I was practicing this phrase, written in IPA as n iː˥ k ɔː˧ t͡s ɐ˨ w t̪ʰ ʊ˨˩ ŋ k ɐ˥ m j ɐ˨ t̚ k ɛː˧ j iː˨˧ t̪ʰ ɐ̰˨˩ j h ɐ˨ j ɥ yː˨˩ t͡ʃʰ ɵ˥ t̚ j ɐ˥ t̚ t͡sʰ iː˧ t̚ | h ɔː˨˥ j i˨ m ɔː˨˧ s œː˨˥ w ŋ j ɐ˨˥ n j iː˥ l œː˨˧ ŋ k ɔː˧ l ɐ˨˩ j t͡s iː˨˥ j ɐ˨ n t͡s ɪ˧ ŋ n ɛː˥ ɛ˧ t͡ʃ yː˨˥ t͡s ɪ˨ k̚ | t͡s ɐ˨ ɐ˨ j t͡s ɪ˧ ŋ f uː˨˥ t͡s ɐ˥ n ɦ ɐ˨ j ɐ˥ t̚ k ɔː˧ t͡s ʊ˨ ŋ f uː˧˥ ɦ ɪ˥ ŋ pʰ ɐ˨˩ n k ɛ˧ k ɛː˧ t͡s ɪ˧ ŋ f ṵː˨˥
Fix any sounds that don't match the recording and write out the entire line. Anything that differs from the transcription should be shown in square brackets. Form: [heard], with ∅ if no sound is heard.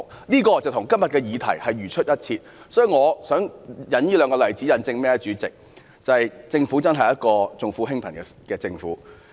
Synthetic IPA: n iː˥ k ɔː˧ t͡s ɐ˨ w t̪ʰ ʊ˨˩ ŋ k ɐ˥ m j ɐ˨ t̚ k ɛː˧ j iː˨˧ t̪ʰ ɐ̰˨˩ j h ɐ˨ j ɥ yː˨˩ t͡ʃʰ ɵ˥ t̚ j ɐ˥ t̚ t͡sʰ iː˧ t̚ | [s] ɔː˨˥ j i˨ [ŋ] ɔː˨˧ s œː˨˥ [∅] ŋ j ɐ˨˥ n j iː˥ l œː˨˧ ŋ k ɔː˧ l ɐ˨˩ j t͡s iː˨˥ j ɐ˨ n t͡s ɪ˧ ŋ [m] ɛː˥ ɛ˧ t͡ʃ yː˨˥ t͡s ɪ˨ k̚ | t͡s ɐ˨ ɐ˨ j t͡s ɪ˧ ŋ f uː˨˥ t͡s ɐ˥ n ɦ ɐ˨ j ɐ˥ t̚ k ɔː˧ t͡s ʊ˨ ŋ f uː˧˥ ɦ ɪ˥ ŋ pʰ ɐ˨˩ n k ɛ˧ k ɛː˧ t͡s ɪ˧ ŋ f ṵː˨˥